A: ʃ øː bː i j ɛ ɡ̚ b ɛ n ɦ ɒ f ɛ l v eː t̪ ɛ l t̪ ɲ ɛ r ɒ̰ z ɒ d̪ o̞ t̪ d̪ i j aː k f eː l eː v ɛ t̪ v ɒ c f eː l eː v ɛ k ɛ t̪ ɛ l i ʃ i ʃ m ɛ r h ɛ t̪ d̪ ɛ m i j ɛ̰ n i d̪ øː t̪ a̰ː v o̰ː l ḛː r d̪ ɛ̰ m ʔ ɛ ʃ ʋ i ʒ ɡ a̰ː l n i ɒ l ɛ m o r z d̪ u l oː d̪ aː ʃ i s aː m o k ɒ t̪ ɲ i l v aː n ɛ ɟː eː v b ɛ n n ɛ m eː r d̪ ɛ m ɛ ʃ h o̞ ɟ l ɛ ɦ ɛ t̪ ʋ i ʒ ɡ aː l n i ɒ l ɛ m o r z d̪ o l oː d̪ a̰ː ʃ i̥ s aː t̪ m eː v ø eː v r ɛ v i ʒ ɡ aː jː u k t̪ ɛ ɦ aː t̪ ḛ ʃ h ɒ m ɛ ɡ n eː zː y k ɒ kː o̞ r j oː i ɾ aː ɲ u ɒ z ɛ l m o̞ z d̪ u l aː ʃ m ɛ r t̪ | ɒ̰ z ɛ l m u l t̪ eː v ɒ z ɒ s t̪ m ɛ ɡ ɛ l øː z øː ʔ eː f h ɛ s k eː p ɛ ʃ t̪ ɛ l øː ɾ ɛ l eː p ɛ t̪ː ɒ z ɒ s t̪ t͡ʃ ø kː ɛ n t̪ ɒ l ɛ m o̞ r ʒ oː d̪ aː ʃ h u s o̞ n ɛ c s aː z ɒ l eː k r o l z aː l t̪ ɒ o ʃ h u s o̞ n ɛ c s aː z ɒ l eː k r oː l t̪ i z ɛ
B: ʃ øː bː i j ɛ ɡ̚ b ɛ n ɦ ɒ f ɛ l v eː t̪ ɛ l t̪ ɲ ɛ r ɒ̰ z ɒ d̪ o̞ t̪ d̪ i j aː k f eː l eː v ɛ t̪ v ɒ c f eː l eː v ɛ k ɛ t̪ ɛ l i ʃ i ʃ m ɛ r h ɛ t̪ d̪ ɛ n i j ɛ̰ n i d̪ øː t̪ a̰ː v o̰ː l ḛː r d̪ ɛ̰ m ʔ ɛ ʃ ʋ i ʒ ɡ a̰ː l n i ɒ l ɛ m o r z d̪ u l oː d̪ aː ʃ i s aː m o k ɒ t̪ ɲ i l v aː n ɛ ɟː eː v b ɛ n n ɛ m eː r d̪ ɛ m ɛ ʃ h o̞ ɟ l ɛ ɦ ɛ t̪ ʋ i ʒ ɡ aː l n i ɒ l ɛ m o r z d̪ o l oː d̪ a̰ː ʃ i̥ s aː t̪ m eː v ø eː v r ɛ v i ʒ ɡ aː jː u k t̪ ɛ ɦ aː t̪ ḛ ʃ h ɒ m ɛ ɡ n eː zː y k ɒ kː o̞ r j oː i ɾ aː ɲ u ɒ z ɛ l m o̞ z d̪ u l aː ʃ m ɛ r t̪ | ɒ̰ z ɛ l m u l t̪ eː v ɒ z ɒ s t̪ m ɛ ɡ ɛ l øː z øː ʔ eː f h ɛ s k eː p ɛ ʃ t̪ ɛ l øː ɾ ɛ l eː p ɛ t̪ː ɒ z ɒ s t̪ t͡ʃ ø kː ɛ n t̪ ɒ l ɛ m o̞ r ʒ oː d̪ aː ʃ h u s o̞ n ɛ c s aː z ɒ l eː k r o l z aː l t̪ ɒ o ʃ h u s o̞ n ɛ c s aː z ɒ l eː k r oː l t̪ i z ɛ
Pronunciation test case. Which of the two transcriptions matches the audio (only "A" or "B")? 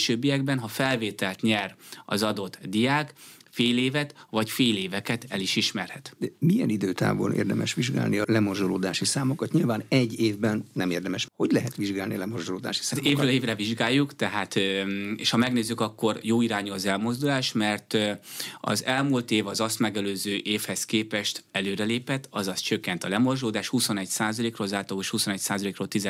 A